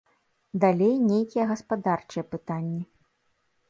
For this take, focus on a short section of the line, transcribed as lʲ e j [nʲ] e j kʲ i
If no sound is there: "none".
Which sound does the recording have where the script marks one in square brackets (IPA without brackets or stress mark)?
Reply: nʲ